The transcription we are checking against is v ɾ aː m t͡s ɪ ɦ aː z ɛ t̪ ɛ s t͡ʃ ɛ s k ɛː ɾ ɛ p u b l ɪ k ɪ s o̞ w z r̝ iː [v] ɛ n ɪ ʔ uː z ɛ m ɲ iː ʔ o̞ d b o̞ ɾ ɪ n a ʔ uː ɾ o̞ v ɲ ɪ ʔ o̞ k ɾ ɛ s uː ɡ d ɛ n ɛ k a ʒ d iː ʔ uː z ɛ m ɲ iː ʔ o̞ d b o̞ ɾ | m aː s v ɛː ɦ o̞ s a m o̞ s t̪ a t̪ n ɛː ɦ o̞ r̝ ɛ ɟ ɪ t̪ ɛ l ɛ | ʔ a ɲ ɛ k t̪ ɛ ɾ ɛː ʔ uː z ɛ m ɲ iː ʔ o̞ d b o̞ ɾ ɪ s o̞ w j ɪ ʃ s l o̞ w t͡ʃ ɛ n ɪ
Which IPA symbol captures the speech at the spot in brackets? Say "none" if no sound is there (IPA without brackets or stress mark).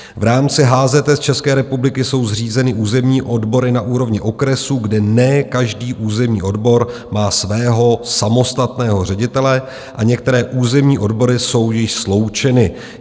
z